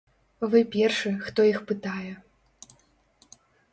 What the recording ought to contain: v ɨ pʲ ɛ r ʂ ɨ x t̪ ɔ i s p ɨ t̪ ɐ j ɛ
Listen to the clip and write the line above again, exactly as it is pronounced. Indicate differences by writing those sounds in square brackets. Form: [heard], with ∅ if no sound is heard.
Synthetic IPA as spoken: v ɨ pʲ ɛ r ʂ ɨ x t̪ ɔ i [x] p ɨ t̪ [a] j ɛ